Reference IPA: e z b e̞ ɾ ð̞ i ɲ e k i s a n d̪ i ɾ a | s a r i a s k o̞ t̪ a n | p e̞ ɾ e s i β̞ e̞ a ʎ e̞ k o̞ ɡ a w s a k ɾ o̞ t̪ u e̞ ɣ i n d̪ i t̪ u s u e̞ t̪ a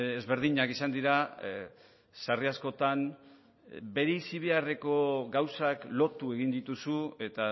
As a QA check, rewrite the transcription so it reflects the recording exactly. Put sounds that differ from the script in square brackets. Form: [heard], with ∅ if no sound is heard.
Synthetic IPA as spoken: e z [β] e̞ ɾ ð̞ i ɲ [a] k i s a n d̪ i ɾ a | s a r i a s k o̞ t̪ a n | [b] e̞ ɾ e s i β̞ e̞ a [r] e̞ k o̞ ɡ a w s a k [l] o̞ t̪ u e̞ ɣ i n d̪ i t̪ u s u e̞ t̪ a